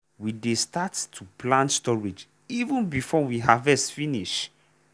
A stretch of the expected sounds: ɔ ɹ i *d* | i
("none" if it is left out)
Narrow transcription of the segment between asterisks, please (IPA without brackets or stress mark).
d͡ʒ